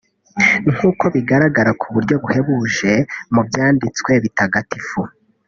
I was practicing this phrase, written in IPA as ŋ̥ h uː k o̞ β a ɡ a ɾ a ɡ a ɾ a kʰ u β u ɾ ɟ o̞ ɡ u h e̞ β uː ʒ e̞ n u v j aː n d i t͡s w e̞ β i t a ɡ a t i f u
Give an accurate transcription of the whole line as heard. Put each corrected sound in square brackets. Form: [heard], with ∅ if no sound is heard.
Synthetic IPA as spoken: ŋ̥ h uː k o̞ β [i] ɡ a ɾ a ɡ a ɾ a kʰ u β u ɾ ɟ o̞ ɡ u h e̞ β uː ʒ e̞ [m] u [b] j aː n d i t͡s w e̞ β i t a ɡ a t i f u